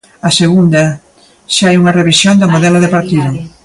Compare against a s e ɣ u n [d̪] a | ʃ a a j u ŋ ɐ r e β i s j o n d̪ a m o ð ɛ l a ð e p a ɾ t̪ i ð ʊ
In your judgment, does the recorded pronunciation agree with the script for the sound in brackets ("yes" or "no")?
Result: yes